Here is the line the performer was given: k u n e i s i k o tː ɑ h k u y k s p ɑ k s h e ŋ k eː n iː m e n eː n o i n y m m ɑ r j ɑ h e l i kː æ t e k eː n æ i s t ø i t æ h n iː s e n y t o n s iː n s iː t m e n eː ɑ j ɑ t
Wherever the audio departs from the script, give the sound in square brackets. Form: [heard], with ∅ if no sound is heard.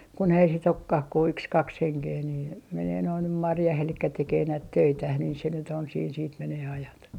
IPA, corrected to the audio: k u n e i s i [t] o [kː] ɑ h k u y k s [k] ɑ k s h e ŋ k eː n iː m e n eː n o i n y m m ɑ r j ɑ h e l i kː æ t e k eː n æ i [t] t ø i t æ h n iː s e n y t o n s iː n s iː t m e n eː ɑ j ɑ t